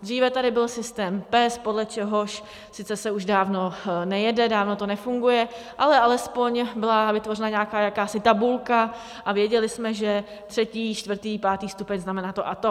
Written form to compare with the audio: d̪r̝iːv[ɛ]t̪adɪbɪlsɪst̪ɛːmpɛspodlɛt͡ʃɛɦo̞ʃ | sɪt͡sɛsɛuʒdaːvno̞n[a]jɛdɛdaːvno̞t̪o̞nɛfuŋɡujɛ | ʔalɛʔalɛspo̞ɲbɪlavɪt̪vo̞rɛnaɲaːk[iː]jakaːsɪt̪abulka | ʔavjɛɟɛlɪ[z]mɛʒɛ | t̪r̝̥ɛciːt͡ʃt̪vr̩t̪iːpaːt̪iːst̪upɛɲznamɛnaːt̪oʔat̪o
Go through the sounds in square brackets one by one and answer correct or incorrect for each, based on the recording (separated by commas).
correct, incorrect, incorrect, incorrect